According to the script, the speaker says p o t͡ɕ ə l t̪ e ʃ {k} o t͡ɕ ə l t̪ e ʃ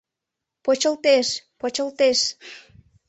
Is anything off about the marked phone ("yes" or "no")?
yes